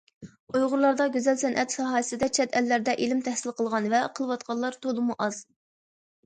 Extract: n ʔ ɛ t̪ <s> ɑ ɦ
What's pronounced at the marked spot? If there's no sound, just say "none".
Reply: s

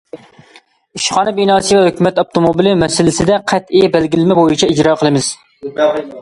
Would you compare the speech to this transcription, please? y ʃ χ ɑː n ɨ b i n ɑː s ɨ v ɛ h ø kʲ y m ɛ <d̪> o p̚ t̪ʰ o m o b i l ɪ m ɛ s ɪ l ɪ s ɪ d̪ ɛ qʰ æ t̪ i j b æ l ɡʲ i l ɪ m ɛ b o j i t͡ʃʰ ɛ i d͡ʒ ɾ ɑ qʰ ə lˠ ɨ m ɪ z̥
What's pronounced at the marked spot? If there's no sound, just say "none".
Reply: t̪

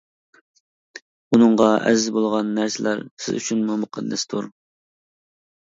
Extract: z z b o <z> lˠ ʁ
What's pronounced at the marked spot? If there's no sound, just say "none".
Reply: none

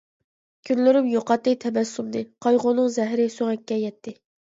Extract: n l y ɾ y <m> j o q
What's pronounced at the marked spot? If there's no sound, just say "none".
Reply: m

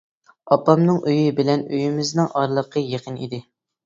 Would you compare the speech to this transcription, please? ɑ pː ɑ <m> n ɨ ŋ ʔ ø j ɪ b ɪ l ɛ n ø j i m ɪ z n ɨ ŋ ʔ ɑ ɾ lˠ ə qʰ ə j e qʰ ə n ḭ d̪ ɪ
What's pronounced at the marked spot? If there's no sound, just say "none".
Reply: m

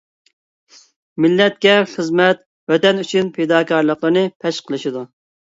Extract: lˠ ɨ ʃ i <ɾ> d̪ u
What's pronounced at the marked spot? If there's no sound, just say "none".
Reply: none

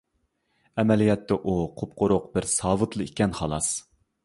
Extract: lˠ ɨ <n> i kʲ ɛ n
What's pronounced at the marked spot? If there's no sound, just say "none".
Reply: none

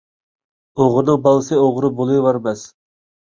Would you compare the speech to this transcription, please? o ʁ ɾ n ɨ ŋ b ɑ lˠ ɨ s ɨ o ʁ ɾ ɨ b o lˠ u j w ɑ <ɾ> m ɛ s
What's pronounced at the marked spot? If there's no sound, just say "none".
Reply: ɾ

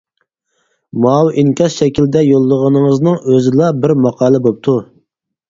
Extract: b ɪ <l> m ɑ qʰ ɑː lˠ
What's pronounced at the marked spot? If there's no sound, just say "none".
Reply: ɾ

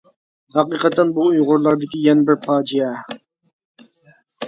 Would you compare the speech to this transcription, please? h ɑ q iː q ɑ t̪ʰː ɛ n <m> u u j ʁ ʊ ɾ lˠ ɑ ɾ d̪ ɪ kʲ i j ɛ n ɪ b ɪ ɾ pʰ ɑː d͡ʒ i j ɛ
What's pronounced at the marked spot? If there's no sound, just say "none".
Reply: b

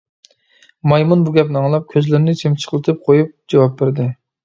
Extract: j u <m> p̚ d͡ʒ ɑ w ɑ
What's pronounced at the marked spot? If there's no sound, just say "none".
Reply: none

